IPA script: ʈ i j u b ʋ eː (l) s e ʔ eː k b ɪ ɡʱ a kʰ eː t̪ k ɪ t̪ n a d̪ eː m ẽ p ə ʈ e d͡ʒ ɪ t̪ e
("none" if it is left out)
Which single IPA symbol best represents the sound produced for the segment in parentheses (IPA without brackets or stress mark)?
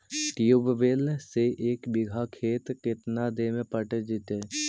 l